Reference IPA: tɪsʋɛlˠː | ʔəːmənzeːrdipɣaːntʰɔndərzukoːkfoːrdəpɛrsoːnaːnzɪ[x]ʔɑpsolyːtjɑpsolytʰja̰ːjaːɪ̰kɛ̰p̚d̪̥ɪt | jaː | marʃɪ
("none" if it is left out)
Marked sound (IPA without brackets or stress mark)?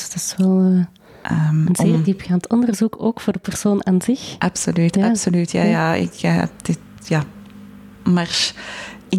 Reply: x